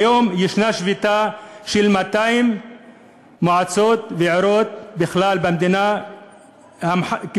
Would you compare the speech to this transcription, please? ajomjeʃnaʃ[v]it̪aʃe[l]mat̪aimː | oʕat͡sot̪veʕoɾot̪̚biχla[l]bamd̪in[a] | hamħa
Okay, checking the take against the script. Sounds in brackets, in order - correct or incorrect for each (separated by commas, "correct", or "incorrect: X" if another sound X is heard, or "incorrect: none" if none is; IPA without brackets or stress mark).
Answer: correct, correct, correct, correct